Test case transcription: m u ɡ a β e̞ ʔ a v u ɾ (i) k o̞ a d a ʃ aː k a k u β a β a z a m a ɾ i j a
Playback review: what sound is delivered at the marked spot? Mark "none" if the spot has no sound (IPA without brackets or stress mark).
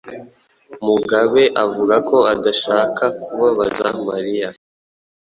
a